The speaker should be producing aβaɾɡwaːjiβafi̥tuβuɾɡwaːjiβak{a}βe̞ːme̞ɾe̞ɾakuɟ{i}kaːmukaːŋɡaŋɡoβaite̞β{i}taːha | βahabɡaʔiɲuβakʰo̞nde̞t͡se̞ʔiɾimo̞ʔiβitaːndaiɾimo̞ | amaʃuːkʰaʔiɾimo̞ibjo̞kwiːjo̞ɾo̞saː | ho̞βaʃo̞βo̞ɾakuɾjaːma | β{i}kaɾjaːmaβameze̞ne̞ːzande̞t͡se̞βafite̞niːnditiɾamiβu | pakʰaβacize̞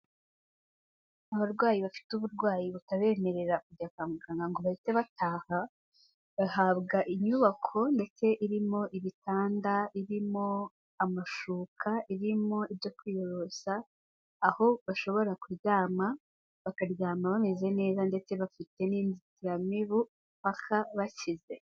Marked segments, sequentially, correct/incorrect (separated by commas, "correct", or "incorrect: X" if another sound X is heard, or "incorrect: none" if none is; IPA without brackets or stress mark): correct, incorrect: a, incorrect: a, incorrect: a